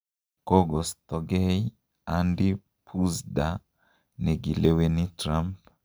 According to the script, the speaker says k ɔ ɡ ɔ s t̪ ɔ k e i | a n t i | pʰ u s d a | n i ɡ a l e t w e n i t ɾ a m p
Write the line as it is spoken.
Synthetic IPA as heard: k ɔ ɡ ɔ s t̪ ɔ ɡ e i | a n d i | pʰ u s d a | n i ɡ i l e w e n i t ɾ a m p